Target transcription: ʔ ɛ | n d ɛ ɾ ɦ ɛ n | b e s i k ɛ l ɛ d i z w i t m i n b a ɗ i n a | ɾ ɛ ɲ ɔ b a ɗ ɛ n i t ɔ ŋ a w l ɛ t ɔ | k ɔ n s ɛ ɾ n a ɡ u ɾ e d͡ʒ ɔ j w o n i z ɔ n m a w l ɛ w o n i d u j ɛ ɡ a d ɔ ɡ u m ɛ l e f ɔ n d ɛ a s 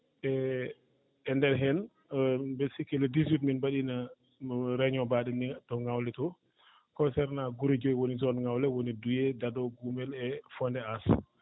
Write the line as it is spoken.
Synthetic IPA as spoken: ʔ ɛ | n d ɛ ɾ ɦ ɛ n | b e s i k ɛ l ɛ d i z w i t m i n b a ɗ i n a | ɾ ɛ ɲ ɔ b a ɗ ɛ n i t ɔ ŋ a w l ɛ t ɔ | k ɔ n s ɛ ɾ n a ɡ u ɾ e d͡ʒ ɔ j w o n i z ɔ n ŋ a w l ɛ w o n i d u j ɛ d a d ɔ ɡ u m ɛ l ɛ f ɔ n d ɛ a s